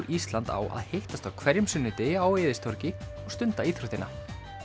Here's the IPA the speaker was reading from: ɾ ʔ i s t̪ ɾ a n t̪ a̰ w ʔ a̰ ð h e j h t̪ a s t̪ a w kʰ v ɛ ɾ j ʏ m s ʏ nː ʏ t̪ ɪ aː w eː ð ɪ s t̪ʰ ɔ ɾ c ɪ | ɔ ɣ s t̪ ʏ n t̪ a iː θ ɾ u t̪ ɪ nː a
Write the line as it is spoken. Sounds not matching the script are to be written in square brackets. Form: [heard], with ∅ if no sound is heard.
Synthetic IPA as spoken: ɾ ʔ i s t̪ [l] a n t̪ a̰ w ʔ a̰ ð h e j h t̪ a s t̪ a w kʰ v ɛ ɾ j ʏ m s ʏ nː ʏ t̪ ɪ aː w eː ð ɪ s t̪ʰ ɔ ɾ c ɪ | ɔ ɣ s t̪ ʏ n t̪ a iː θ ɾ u t̪ ɪ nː a